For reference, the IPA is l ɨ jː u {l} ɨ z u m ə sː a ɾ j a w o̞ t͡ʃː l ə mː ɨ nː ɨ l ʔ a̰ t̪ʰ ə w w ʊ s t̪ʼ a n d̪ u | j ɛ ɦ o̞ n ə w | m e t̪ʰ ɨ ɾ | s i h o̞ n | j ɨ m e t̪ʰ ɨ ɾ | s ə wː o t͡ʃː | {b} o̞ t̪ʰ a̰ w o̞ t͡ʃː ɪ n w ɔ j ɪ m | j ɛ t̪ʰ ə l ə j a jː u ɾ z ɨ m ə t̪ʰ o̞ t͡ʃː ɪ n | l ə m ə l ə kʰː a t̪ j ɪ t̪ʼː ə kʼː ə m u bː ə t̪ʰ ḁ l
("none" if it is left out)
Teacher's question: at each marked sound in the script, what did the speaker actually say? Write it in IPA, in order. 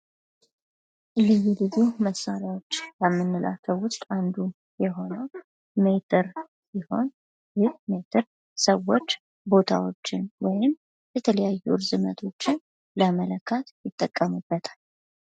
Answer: l, b

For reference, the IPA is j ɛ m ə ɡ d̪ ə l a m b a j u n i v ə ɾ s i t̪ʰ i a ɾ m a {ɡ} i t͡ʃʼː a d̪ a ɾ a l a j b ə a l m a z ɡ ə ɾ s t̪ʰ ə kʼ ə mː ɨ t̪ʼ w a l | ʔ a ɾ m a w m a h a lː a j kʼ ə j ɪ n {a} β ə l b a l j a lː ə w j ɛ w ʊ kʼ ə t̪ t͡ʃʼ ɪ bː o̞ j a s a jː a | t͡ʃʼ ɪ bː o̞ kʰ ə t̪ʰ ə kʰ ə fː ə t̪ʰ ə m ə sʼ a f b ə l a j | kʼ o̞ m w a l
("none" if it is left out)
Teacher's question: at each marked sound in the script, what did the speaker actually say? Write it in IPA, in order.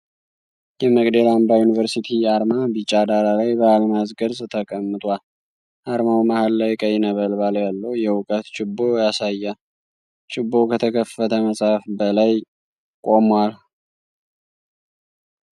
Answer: b, ə

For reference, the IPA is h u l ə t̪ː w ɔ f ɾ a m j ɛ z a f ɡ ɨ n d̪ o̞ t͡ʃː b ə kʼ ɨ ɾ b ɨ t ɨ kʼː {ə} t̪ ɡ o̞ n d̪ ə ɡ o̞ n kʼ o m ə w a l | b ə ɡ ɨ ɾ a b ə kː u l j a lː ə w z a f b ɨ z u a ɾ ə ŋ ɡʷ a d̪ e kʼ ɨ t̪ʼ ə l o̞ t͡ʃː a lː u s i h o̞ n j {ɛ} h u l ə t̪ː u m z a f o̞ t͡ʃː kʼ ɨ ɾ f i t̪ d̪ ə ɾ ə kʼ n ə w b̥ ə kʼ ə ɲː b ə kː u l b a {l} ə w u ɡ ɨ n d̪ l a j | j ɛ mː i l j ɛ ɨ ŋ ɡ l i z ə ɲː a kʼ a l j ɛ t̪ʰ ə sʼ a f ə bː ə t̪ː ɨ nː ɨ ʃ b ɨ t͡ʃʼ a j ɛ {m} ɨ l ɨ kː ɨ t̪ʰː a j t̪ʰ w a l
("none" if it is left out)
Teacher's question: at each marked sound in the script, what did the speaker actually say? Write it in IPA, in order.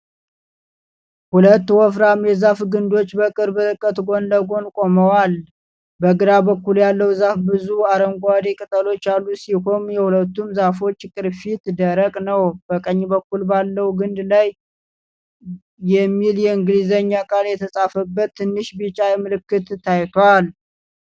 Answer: ə, ɛ, lː, m

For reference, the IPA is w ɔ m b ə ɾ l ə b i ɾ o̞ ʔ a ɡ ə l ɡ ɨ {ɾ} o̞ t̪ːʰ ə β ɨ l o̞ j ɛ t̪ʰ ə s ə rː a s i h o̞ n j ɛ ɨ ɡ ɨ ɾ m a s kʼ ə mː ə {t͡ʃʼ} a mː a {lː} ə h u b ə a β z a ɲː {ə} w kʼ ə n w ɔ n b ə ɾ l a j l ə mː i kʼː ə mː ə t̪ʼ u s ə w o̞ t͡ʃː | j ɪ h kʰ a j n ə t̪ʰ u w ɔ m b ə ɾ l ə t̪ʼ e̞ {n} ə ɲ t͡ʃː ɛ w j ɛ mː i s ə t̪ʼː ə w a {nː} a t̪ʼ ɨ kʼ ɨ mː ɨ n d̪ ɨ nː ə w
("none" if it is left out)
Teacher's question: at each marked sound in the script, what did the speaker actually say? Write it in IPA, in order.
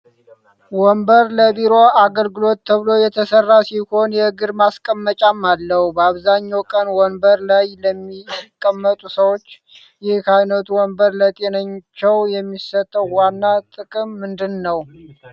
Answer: l, t͡ʃʼ, lː, a, n, nː

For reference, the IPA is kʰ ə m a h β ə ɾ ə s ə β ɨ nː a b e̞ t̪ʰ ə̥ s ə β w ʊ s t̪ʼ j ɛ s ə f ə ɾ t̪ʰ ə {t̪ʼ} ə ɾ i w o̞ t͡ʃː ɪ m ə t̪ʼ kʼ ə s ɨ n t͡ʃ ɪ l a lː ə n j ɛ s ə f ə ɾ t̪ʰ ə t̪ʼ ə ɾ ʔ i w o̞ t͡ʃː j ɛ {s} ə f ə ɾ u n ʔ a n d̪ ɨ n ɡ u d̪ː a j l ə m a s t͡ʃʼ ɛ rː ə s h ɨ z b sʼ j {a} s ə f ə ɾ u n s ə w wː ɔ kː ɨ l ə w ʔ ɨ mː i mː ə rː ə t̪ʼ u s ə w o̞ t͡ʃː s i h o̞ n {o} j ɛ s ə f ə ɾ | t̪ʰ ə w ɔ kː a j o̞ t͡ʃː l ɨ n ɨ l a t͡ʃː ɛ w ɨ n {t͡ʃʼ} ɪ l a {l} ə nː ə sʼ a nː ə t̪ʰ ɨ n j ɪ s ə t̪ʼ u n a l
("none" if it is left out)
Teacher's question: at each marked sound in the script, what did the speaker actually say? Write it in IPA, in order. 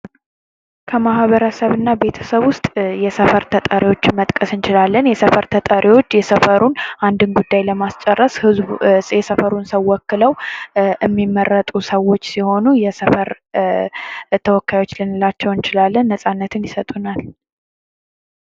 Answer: t̪ʼ, s, ɛ, u, t͡ʃ, lː

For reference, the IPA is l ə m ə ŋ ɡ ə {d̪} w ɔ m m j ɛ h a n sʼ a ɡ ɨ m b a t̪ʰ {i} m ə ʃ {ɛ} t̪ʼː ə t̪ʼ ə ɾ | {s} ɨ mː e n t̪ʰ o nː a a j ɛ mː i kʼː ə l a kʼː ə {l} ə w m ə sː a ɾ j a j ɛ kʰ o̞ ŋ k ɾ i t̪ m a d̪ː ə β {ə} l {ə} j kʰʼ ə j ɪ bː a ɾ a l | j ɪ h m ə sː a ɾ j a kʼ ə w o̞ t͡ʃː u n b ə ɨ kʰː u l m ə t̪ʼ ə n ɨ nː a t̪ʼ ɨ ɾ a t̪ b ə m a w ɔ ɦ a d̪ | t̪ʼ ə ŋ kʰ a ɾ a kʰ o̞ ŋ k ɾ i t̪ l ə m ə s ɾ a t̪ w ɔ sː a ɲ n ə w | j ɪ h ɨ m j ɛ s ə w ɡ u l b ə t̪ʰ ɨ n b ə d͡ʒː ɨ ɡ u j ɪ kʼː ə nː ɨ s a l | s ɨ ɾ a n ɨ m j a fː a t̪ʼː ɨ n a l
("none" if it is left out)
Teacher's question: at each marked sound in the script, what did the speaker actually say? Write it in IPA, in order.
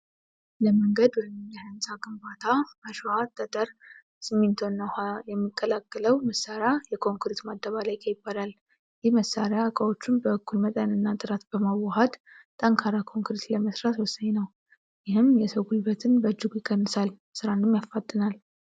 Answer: d̪, a, a, s, l, a, a

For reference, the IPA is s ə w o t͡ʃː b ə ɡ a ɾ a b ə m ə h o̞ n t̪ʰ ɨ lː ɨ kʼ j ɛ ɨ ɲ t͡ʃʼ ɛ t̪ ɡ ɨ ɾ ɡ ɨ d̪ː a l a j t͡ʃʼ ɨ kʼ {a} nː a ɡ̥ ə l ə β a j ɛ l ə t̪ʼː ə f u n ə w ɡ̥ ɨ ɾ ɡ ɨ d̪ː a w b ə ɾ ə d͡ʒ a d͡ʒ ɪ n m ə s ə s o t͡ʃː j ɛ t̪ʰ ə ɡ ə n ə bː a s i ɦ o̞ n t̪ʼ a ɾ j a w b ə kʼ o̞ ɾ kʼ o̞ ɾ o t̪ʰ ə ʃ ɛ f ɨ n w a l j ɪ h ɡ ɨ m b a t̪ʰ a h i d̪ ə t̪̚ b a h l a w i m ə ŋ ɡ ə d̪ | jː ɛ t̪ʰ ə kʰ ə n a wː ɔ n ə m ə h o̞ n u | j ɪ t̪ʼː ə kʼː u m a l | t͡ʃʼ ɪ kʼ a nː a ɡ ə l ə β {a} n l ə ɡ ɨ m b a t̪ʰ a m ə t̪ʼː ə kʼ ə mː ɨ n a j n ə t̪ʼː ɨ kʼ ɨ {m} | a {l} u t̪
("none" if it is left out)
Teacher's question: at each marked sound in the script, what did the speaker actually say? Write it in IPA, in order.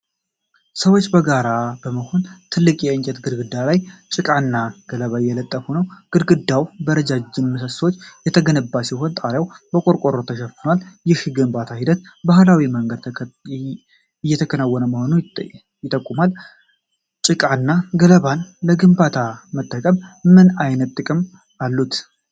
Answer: a, a, m, lː

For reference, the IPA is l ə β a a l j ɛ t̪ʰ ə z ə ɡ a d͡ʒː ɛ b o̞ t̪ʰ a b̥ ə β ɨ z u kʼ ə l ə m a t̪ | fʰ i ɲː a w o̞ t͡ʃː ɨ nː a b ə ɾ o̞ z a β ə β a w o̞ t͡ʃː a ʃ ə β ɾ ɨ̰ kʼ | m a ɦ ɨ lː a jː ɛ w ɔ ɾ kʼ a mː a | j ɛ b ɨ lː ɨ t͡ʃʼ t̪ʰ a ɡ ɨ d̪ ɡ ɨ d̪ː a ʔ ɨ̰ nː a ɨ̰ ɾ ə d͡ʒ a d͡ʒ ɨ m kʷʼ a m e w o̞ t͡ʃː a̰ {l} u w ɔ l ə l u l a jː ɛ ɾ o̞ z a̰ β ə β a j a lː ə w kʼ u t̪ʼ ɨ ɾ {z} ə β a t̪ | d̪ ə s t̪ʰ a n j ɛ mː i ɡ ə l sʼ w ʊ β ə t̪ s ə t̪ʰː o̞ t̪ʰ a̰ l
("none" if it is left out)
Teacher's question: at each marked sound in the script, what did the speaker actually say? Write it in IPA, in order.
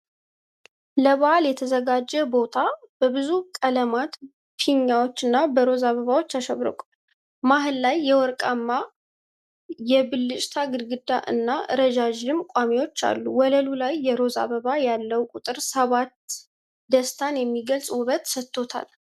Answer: lː, s

